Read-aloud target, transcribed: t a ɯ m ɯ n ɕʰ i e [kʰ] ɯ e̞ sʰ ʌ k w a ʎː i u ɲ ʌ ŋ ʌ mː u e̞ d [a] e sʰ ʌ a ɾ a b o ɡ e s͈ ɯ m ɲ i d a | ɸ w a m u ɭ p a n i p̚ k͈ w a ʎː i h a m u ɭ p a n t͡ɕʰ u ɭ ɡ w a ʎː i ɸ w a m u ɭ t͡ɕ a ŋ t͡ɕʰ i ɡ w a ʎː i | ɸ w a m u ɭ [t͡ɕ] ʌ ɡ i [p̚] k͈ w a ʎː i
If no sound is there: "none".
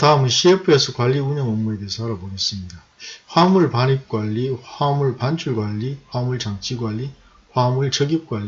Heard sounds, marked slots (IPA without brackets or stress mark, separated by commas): pʰ, e, t͡ɕ, p̚